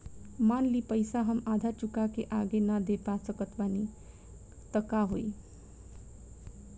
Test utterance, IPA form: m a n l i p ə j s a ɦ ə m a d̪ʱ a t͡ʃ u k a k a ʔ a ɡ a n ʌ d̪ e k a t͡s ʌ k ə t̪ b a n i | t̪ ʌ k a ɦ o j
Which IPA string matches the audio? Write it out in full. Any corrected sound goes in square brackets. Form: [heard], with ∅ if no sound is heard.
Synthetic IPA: m a n l i p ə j s a ɦ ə m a d̪ʱ a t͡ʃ u k a k [e] ʔ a ɡ [e] n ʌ d̪ e [p] a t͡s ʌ k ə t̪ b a n i | t̪ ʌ k a ɦ o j